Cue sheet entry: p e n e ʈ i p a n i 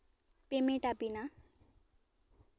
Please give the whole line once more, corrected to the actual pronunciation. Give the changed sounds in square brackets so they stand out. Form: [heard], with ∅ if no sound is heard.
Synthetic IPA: p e [m] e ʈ [a] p [i] n [a]